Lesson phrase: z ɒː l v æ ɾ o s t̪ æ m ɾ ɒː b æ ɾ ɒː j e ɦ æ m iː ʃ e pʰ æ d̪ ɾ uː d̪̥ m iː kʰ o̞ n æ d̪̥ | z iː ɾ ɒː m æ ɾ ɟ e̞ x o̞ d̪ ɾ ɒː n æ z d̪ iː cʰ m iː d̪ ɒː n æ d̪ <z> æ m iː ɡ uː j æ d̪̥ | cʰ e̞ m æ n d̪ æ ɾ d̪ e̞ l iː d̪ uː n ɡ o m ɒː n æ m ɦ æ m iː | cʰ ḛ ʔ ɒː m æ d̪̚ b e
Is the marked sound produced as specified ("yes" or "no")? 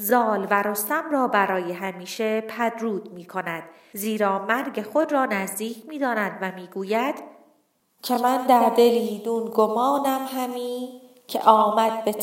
no